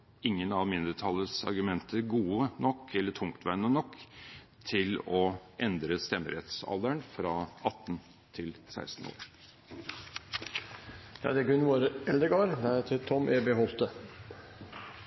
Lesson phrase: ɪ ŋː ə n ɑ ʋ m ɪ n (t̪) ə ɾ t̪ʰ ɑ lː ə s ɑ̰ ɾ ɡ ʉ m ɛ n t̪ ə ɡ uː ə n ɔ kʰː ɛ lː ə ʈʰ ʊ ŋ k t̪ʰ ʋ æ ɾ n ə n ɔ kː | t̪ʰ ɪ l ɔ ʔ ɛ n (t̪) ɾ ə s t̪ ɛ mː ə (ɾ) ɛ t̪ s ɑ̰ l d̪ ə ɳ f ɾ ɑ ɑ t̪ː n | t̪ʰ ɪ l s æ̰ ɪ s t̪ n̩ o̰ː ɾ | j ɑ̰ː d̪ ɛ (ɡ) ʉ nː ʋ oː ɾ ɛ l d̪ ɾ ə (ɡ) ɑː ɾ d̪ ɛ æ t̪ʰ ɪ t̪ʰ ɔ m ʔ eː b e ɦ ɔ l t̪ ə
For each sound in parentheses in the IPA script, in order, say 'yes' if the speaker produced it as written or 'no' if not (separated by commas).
no, no, yes, yes, yes